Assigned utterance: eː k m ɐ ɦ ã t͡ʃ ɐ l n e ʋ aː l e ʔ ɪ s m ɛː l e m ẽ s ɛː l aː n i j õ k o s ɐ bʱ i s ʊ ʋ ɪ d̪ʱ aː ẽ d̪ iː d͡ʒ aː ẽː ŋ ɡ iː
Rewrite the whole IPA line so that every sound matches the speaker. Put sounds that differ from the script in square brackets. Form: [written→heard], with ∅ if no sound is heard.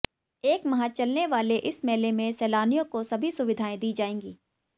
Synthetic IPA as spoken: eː k m ɐ ɦ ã t͡ʃ ɐ l n e ʋ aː l e ʔ ɪ s m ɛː l e m ẽ s ɛː l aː n i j õ k o s ɐ bʱ i s ʊ ʋ ɪ d̪ʱ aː ẽ d̪ iː d͡ʒ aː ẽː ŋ ɡ iː